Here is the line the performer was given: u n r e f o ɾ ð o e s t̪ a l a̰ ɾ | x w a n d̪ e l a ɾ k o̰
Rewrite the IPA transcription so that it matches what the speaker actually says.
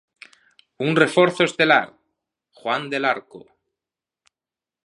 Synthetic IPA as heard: u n r e f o ɾ θ o e s t̪ e l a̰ ɾ | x w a n d̪ e l a ɾ k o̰